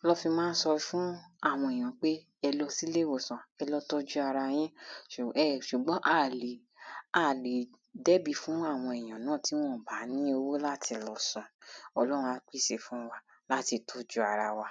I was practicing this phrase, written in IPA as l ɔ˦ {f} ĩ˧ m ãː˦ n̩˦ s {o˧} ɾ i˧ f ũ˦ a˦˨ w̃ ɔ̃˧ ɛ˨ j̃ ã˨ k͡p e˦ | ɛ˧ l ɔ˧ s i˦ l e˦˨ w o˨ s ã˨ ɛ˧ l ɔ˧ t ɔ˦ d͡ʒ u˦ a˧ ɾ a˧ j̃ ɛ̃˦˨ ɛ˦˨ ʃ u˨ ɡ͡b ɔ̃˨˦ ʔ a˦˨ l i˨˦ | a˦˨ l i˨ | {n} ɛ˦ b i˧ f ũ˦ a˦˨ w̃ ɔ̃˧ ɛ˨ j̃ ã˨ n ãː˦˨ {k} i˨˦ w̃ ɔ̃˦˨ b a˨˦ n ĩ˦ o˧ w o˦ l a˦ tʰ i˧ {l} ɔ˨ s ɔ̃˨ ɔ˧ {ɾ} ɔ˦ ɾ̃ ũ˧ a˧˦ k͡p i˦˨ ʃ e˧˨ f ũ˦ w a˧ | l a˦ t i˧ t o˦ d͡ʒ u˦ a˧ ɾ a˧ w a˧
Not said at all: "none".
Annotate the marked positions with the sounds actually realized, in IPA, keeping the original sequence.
f, ɔ˧, d, t, l, l

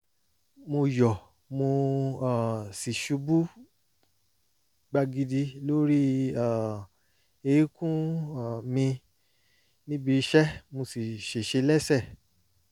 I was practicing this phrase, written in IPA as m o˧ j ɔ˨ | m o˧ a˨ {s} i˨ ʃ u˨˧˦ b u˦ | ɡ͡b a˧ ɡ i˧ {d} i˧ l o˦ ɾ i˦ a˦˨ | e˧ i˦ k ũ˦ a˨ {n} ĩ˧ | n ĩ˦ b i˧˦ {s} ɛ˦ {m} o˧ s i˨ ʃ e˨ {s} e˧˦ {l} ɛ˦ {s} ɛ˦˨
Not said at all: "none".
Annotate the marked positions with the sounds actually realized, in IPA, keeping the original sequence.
s, d, m, ʃ, m, ʃ, l, s

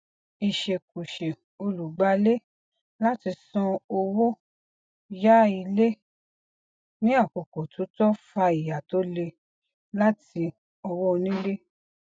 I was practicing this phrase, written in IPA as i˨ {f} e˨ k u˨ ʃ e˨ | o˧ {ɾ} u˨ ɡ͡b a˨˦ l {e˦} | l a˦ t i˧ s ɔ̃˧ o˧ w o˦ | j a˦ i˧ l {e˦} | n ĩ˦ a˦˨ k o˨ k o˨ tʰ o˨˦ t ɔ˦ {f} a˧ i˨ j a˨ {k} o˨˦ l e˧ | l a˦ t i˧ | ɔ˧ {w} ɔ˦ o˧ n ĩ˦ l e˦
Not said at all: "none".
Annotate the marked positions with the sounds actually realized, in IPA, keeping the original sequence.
ʃ, l, e˦, e˦, f, t, w

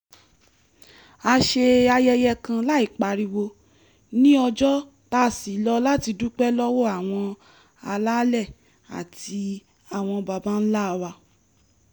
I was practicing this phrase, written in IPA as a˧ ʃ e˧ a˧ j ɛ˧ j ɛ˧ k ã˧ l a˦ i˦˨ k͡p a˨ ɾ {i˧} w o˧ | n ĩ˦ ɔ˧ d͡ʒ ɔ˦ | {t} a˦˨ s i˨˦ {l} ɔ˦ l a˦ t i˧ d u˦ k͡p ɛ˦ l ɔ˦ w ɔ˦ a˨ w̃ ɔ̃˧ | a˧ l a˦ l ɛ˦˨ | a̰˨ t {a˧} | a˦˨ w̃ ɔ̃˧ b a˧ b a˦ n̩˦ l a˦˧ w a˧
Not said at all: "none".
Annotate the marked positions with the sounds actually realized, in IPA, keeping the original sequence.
i˧, t, l, i˧

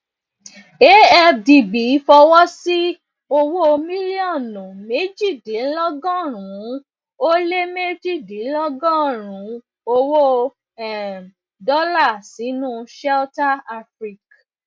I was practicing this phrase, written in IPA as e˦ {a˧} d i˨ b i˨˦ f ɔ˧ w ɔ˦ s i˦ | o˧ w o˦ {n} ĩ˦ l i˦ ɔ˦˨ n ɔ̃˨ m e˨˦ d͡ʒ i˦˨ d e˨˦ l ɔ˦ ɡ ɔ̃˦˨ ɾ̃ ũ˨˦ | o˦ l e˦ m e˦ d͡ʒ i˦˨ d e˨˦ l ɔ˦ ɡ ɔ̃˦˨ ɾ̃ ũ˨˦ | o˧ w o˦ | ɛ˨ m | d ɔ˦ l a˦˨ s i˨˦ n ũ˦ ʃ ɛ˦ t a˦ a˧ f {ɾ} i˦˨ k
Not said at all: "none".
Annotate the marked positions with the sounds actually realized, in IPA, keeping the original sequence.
ɛ˧, m, ɾ

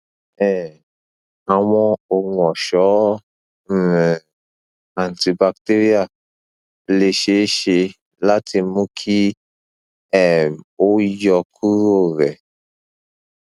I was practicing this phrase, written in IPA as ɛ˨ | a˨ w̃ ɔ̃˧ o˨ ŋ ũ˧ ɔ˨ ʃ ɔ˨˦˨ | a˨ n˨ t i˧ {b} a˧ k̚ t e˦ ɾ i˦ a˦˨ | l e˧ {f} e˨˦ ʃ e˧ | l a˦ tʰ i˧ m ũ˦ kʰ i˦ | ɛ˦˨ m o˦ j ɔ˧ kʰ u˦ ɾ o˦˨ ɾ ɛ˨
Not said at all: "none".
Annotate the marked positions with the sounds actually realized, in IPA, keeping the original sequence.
b, ʃ

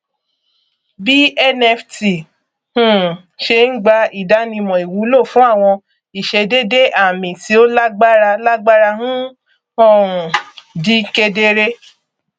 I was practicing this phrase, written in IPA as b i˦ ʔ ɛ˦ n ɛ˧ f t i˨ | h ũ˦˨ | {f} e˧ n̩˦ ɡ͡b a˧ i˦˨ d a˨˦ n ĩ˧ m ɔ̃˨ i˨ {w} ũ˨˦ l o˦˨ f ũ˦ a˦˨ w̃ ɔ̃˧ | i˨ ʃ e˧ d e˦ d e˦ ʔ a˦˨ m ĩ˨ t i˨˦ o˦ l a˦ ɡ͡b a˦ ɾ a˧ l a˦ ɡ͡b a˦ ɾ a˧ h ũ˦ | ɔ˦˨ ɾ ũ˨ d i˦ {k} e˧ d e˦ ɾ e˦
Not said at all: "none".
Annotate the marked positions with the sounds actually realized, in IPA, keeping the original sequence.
ʃ, w, k

